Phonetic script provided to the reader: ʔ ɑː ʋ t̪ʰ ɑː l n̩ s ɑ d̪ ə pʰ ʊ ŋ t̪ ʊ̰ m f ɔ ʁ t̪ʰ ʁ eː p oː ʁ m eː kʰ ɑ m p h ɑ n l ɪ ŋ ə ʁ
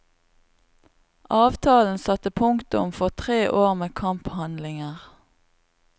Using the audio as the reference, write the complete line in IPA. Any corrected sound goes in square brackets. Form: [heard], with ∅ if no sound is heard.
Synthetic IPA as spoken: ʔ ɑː ʋ t̪ʰ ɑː l n̩ s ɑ [t̪] ə pʰ ʊ ŋ t̪ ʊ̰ m f ɔ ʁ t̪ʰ ʁ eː [ʔ] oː ʁ m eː kʰ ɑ m p h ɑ n l ɪ ŋ ə ʁ